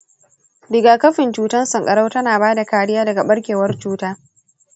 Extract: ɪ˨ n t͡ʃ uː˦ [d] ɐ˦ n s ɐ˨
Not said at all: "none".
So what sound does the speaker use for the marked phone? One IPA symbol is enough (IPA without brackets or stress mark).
t